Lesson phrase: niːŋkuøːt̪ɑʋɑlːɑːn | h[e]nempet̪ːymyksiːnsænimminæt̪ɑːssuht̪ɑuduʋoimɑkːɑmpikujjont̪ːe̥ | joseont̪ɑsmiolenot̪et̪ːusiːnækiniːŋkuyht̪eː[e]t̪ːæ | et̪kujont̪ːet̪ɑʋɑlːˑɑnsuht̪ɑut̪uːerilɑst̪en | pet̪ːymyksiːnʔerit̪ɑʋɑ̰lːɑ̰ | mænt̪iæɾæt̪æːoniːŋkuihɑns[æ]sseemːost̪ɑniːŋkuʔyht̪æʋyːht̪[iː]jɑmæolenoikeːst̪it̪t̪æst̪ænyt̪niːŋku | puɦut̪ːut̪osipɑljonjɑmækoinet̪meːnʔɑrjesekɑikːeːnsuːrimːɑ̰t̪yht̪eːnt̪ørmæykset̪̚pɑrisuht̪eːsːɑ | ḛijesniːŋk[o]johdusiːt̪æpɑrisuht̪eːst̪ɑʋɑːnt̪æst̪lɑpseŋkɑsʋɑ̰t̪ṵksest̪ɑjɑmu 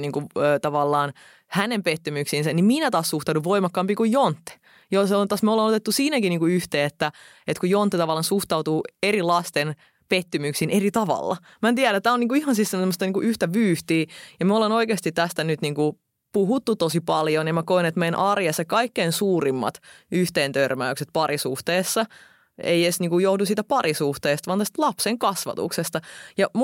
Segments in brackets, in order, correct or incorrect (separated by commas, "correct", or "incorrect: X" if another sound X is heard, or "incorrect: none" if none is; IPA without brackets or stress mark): incorrect: æ, correct, incorrect: i, correct, incorrect: u